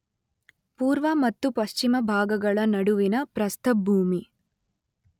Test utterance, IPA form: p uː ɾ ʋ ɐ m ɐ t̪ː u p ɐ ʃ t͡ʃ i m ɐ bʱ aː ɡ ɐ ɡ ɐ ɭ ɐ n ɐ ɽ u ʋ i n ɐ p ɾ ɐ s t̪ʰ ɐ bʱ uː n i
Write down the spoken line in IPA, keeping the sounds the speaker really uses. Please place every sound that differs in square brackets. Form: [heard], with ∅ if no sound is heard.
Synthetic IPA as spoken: p uː ɾ ʋ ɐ m ɐ t̪ː u p ɐ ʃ t͡ʃ i m ɐ bʱ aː ɡ ɐ ɡ ɐ ɭ ɐ n ɐ ɽ u ʋ i n ɐ p ɾ ɐ s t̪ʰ ɐ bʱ uː [m] i